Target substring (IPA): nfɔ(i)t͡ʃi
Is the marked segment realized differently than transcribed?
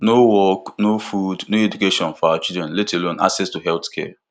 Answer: yes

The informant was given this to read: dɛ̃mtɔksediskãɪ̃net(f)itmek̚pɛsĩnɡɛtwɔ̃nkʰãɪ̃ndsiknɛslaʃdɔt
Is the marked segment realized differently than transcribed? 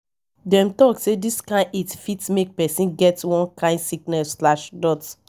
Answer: no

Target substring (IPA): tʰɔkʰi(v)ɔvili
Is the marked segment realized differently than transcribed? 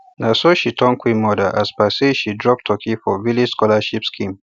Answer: yes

